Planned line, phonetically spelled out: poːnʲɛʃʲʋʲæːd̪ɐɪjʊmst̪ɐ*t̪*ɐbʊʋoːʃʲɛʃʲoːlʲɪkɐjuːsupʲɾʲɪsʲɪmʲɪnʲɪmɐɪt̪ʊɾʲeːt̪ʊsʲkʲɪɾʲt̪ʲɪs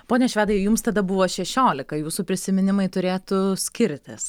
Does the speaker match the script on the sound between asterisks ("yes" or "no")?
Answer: no